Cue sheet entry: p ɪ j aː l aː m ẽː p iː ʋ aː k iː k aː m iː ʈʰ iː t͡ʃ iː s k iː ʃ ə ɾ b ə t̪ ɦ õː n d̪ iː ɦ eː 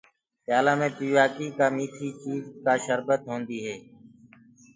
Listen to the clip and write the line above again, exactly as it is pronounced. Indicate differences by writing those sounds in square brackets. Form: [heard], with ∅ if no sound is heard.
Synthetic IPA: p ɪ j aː l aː m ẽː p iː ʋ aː k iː k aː m iː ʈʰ iː t͡ʃ iː [z] k [aː] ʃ ə ɾ b ə t̪ ɦ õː n d̪ iː ɦ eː